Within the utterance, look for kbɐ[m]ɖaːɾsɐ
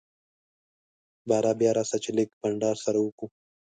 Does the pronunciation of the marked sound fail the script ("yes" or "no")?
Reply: yes